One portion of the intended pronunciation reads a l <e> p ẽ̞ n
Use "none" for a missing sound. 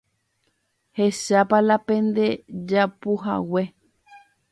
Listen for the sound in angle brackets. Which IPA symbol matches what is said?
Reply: a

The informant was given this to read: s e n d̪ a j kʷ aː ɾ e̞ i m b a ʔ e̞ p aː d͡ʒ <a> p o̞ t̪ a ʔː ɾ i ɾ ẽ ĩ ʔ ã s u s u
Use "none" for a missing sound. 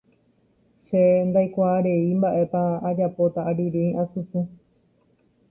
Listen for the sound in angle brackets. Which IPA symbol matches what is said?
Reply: a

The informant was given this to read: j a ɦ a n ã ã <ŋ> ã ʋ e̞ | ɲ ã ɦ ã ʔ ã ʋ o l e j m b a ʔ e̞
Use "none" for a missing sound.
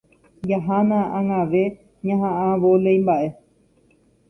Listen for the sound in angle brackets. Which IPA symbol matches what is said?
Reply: ŋ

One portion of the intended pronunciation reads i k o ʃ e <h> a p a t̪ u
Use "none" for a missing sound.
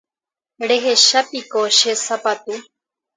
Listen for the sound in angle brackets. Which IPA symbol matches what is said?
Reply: s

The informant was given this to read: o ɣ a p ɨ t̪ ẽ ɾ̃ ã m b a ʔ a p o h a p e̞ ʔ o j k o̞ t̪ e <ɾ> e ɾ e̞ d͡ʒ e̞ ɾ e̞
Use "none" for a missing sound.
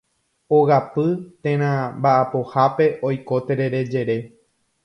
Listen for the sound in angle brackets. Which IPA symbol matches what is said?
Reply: ɾ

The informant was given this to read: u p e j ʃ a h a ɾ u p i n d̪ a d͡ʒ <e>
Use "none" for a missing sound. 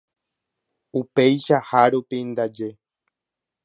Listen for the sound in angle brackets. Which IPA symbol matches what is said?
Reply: e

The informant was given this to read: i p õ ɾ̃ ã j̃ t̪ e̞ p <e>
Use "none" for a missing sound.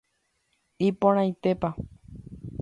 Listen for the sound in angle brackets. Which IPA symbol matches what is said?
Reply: a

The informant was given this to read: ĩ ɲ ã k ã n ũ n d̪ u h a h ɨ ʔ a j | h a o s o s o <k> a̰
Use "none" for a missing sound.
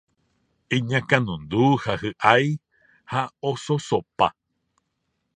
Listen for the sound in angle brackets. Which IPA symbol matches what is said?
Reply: p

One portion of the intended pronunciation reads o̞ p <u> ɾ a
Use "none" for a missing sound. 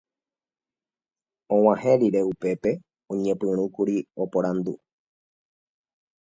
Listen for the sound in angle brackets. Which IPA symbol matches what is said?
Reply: o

